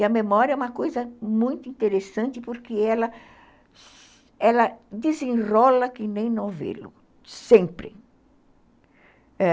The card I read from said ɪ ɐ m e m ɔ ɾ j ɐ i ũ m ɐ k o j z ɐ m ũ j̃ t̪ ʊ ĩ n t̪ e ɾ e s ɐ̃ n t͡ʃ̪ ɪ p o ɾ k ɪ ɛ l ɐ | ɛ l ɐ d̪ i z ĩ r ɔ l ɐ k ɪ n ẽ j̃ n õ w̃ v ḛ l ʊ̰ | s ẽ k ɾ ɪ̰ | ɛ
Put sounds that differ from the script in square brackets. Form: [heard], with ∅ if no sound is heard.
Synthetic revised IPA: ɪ ɐ m e m ɔ ɾ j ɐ [ɛ] ũ m ɐ k o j z ɐ m ũ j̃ t̪ ʊ ĩ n t̪ e ɾ e s ɐ̃ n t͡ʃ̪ ɪ p o ɾ k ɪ ɛ l ɐ | ɛ l ɐ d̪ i z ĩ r ɔ l ɐ k ɪ n ẽ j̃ n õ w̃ v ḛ l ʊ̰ | s ẽ [p] ɾ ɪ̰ | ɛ